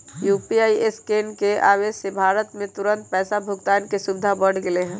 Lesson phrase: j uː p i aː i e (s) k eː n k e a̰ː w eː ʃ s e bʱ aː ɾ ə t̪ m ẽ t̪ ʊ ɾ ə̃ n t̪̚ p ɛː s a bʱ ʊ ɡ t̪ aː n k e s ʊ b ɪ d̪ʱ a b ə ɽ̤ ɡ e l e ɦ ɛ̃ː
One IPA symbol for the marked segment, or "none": s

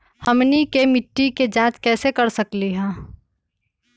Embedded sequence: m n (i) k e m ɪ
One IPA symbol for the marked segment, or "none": i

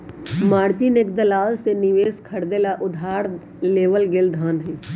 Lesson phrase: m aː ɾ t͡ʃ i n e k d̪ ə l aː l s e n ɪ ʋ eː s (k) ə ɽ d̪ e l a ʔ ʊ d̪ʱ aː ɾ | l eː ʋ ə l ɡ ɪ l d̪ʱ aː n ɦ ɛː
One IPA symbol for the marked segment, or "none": kʰ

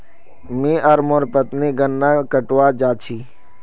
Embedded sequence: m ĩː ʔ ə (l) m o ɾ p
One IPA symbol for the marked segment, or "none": ɾ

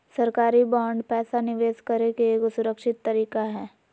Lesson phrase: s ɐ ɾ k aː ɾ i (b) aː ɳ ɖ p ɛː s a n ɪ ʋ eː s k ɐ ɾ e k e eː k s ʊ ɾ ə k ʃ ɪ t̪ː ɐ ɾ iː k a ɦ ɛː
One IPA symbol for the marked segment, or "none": b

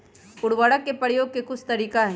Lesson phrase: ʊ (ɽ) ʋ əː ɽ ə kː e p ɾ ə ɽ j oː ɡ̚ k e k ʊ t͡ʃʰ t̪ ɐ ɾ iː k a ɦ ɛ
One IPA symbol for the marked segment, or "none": ɽ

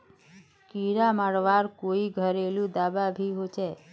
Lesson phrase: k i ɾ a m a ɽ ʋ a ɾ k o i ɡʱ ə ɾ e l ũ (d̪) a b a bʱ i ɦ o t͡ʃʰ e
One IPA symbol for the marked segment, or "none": d̪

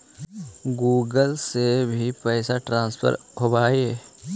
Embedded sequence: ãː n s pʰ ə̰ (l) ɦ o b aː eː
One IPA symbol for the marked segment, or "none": ɾ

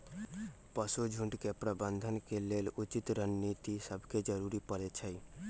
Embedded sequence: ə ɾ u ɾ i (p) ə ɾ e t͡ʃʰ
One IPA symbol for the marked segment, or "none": p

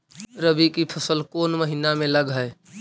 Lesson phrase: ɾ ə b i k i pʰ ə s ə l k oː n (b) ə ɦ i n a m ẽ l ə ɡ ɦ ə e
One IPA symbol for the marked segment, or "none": m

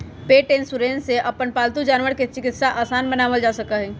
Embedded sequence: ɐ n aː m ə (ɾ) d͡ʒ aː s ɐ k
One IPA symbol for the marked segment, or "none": l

